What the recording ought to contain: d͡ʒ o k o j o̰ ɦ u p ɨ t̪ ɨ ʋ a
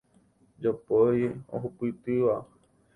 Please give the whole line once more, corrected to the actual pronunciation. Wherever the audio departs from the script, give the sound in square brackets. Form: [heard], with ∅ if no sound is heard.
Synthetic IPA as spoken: d͡ʒ o [p] o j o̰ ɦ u p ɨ t̪ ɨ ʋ a